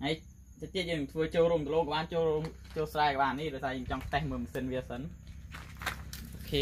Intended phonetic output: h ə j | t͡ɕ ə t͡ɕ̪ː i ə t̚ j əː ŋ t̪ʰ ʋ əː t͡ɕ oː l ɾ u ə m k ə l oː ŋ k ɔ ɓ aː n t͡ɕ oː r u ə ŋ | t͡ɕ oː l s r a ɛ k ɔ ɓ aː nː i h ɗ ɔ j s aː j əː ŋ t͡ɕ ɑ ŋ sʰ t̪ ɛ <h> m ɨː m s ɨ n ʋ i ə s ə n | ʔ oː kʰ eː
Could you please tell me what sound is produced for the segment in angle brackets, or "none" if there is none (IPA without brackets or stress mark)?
h